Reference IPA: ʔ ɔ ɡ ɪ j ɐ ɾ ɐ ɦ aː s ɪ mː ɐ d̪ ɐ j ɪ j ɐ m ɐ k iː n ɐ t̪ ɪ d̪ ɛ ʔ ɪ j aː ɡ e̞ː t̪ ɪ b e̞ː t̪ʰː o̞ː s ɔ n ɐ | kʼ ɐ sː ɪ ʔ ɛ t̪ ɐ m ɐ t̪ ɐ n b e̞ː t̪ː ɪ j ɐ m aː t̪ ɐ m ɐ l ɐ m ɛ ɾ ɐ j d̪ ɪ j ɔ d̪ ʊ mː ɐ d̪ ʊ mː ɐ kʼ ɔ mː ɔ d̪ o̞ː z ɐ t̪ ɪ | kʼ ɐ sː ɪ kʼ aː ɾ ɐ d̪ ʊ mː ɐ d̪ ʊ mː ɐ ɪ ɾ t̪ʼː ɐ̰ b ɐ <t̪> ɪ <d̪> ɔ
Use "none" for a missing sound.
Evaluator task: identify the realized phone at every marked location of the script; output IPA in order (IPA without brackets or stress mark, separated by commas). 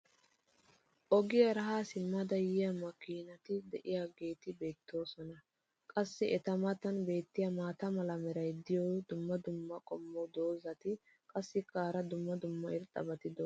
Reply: t̪, d̪